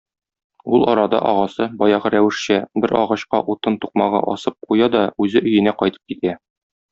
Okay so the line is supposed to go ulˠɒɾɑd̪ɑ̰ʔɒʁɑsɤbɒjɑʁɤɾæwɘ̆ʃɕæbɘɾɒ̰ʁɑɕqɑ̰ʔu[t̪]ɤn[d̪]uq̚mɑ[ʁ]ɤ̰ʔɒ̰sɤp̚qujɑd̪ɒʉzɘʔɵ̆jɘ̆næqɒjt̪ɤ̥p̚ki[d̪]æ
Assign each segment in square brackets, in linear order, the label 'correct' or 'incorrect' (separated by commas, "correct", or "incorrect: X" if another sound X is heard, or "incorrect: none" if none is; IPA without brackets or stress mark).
correct, incorrect: t̪, correct, incorrect: t̪